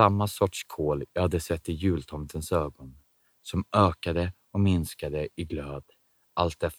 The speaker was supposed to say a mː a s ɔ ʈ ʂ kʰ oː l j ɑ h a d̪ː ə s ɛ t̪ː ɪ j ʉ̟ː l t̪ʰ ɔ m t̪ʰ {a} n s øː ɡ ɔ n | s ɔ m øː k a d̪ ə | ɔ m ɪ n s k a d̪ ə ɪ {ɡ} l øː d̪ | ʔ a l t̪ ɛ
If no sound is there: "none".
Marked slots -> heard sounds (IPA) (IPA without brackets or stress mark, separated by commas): ə, ɡ